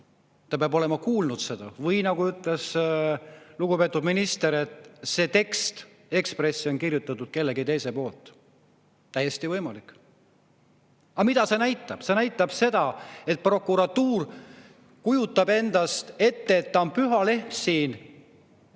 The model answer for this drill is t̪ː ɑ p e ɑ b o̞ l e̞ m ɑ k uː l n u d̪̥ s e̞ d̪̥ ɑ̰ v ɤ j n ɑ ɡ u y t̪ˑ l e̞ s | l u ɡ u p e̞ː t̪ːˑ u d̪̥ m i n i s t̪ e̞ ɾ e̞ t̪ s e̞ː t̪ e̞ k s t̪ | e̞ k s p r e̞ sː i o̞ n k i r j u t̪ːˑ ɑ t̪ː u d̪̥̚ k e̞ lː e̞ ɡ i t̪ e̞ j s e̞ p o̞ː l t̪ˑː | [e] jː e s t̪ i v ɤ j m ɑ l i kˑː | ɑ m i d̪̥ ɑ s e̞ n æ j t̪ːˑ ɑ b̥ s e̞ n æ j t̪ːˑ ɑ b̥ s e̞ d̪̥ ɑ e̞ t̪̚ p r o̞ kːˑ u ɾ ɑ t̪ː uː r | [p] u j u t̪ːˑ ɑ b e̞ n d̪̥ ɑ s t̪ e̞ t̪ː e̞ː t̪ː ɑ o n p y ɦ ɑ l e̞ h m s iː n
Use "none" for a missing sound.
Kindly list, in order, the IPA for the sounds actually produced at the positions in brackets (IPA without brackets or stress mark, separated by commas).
æ, k